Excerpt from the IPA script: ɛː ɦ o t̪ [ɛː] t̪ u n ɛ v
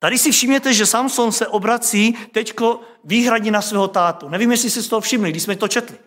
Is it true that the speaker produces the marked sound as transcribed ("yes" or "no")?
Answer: no